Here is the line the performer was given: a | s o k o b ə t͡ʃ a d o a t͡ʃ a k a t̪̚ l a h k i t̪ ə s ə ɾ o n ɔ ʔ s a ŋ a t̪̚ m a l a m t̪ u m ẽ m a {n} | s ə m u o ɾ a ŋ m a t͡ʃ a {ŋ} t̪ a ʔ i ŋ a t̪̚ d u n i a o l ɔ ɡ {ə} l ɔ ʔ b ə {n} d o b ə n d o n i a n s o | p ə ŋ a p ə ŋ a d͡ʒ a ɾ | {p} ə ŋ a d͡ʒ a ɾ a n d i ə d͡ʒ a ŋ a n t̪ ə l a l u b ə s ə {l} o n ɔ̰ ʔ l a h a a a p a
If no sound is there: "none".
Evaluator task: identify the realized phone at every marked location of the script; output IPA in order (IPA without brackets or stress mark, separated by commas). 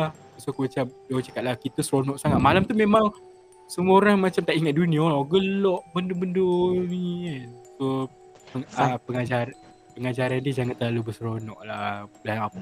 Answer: ŋ, m, ə, n, p, ɾ